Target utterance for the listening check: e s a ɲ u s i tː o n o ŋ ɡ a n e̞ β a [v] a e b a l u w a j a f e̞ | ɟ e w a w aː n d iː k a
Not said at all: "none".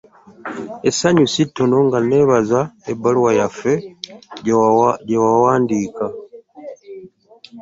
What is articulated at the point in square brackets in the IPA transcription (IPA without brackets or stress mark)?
z